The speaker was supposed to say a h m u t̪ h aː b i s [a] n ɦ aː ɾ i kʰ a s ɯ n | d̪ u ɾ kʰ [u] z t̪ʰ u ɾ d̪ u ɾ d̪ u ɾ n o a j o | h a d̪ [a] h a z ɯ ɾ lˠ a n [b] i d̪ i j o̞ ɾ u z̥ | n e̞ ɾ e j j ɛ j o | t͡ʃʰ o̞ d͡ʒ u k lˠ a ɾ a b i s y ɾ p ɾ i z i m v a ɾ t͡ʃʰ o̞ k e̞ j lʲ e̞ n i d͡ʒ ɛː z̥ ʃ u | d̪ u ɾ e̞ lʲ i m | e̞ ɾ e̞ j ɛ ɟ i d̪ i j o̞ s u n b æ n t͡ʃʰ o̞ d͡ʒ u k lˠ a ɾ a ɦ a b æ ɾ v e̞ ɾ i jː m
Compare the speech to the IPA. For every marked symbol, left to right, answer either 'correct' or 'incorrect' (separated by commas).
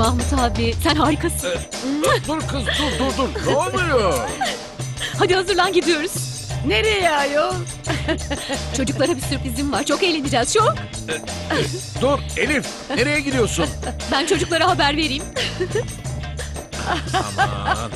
incorrect, incorrect, incorrect, incorrect